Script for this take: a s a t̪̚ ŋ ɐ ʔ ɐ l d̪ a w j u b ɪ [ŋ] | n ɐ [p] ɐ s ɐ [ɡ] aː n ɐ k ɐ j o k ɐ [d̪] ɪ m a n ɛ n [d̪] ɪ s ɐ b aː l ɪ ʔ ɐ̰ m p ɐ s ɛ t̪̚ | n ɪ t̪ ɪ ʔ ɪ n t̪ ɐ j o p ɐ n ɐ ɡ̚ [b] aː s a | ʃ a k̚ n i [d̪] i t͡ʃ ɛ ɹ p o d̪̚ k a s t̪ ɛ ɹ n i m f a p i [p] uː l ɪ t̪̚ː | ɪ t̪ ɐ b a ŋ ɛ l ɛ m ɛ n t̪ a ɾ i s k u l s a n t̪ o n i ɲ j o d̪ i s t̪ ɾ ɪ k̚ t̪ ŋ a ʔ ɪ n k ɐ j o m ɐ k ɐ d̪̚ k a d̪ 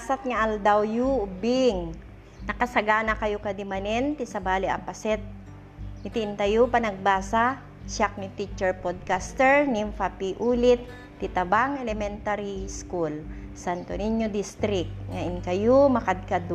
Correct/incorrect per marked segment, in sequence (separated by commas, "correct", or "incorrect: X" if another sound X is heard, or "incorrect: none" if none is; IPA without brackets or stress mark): correct, incorrect: k, correct, correct, incorrect: t̪, correct, incorrect: t̪, incorrect: ʔ